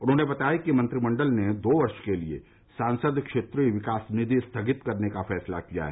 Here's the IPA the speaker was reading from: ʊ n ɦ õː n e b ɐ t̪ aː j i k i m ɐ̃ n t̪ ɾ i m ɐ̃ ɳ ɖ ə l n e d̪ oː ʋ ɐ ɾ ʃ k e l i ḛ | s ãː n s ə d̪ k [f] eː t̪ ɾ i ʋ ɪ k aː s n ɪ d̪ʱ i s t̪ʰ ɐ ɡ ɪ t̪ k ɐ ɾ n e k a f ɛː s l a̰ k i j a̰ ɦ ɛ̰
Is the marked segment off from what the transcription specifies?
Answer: yes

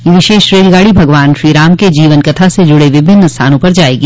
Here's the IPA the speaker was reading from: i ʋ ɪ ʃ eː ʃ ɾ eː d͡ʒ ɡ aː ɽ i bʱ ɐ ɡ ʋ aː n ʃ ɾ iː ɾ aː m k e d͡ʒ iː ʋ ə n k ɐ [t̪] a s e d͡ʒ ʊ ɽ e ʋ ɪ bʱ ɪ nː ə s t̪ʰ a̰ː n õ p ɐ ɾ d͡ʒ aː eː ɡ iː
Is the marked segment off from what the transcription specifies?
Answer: yes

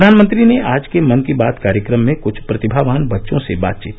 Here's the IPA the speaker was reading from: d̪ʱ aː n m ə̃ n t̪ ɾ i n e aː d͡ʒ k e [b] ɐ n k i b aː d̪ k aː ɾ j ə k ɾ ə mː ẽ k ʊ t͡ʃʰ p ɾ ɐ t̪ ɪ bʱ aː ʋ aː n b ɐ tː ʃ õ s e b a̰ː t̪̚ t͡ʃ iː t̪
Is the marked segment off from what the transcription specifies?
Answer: yes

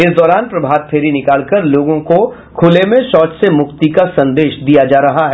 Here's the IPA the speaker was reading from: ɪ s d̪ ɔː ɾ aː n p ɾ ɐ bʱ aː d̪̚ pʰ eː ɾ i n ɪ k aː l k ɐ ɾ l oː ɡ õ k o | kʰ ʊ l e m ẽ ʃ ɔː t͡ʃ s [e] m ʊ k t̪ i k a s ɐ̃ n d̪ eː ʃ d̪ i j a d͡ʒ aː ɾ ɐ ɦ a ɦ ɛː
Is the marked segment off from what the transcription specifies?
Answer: no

